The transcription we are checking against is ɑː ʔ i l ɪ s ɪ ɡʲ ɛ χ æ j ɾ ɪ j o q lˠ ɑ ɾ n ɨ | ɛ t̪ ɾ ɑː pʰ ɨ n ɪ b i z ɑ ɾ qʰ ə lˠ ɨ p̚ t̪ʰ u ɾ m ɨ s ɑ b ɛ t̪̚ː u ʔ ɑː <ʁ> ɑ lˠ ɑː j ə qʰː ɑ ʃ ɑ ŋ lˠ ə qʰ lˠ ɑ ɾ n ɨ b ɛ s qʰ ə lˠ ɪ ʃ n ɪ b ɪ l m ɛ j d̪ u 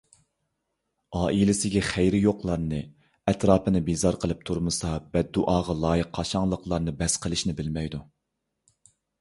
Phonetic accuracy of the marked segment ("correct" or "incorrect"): correct